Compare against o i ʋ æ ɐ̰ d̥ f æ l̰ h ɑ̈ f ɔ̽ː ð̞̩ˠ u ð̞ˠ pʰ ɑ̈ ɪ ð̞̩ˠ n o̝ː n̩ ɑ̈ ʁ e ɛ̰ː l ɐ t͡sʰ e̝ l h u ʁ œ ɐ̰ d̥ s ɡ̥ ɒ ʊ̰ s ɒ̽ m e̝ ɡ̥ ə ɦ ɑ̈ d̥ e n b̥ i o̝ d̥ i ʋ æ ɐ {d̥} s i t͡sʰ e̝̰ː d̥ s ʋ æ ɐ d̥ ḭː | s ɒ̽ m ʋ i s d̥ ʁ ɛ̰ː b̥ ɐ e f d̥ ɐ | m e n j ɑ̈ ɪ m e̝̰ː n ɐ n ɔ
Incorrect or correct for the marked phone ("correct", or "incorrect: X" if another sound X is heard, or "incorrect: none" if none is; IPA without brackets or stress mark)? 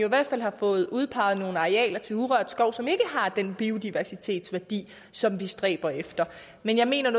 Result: incorrect: none